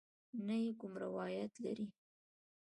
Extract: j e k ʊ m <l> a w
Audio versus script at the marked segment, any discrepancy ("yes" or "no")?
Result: yes